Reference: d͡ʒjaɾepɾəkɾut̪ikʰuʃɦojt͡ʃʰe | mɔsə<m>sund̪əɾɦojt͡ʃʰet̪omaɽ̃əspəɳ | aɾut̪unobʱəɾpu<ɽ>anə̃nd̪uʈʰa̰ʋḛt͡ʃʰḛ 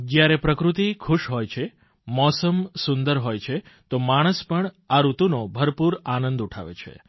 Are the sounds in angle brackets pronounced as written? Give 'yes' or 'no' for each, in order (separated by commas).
yes, no